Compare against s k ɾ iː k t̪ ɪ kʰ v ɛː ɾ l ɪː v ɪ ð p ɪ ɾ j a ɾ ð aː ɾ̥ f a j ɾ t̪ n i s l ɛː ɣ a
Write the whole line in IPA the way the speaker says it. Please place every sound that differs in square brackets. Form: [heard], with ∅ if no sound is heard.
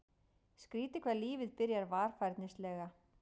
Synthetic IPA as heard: s k ɾ iː [∅] t̪ ɪ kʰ v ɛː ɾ l [iː] v ɪ ð p ɪ ɾ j a ɾ [v] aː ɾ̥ f a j ɾ t̪ n [ɪ] s l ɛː ɣ a